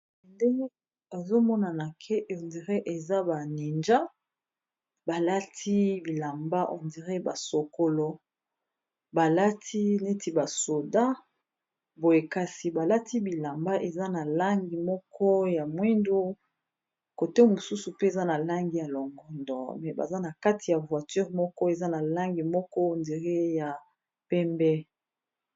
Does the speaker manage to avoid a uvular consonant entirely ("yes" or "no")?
no